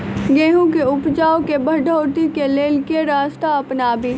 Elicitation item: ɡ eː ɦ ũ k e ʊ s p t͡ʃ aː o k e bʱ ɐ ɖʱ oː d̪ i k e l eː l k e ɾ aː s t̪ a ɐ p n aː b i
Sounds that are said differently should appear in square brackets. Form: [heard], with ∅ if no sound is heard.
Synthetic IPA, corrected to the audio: ɡ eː ɦ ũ k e ʊ [∅] p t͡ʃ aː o k e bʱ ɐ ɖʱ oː [t̪] i k e l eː l k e ɾ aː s t̪ a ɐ p n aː b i